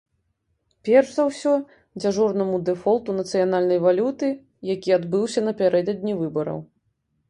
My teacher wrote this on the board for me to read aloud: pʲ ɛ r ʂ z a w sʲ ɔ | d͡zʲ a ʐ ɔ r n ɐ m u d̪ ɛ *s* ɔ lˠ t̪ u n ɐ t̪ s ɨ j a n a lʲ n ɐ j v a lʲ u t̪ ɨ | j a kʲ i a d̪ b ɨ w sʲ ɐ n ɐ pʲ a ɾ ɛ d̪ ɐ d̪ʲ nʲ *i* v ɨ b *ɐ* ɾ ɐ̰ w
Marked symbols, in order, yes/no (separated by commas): no, yes, yes